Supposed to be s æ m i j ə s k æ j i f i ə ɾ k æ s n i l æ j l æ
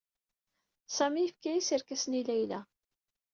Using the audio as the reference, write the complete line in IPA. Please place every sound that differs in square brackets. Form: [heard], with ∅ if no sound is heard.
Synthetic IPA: s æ m i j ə [f] k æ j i [s] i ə ɾ k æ s n i l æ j l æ

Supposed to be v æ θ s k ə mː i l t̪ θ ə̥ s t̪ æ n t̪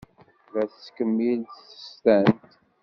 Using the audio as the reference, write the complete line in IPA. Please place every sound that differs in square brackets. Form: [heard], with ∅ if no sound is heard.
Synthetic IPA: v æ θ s k ə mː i l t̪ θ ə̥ s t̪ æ n t̪

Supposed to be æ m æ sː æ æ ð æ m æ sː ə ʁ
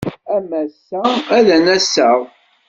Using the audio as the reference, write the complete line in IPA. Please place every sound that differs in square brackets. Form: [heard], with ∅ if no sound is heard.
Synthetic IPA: æ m æ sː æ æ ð æ [n] æ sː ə ʁ

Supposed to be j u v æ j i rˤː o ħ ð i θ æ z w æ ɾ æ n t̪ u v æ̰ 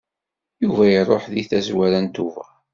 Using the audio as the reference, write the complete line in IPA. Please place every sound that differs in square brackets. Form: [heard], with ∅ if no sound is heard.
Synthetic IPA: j u v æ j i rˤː o ħ ð i θ æ z w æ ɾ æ n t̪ u v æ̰

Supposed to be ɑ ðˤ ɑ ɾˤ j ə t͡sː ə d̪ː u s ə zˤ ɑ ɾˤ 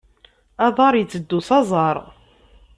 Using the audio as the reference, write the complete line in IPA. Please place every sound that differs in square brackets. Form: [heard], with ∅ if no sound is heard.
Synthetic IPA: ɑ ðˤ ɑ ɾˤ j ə t͡sː ə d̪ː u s [ɑ] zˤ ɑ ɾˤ

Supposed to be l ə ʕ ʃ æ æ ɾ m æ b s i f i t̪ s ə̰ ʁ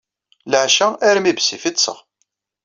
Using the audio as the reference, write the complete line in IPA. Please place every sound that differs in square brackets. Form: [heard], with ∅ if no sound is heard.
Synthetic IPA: l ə ʕ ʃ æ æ ɾ m [i] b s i f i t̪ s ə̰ ʁ

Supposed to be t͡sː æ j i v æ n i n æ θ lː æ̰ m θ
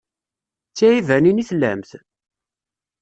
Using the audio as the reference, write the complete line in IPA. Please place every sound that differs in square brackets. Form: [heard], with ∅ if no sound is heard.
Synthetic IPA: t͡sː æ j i v æ n i n [i] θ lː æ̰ m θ

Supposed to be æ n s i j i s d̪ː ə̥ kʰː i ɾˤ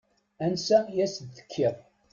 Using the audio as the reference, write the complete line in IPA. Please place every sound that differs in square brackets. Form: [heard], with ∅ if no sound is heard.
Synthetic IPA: æ n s [æ] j [æ] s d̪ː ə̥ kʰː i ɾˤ

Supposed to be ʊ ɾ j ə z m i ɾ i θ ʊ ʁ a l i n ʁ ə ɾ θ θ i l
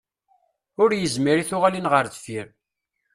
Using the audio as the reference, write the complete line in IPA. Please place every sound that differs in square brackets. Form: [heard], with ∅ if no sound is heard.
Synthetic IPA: ʊ ɾ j ə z m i ɾ i θ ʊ ʁ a l i n ʁ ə ɾ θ [f] i [ɾ]

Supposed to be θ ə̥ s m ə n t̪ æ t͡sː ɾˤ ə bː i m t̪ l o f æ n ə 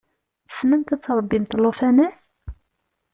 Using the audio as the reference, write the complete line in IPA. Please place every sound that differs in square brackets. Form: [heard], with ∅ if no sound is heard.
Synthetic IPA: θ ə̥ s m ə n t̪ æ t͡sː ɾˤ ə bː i m t̪ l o f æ n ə

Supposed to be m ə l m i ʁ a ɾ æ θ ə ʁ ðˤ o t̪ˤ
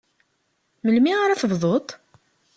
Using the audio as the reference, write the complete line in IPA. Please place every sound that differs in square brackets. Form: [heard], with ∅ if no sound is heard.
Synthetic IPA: m ə l m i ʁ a ɾ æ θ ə [v] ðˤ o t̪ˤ

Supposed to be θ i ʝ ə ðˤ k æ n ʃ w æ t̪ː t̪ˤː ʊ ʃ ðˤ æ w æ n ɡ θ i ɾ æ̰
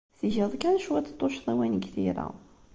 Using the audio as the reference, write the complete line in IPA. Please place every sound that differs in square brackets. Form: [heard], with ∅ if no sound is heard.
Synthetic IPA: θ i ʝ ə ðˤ k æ n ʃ w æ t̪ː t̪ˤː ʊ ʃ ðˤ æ w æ n ɡ θ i ɾ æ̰

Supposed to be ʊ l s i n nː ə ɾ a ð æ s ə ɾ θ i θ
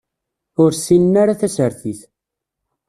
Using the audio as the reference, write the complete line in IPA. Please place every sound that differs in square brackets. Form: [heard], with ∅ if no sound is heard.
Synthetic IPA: ʊ [ɾ] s i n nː [a] ɾ a [θ] æ s ə ɾ θ i θ

